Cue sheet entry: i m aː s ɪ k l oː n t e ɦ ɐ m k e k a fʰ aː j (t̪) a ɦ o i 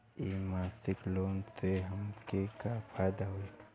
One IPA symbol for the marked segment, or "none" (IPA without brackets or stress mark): d̪